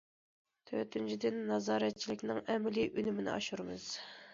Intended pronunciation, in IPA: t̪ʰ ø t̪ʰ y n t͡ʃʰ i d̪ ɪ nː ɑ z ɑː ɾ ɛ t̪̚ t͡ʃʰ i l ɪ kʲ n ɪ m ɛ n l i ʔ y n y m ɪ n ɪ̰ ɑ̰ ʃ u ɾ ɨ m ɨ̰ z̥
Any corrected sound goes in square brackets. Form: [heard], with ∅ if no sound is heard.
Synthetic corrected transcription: t̪ʰ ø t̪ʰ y n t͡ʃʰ i d̪ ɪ nː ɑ z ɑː ɾ ɛ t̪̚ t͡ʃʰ i l ɪ kʲ n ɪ [ŋ] ɛ [m] l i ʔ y n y m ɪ n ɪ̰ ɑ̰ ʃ u ɾ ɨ m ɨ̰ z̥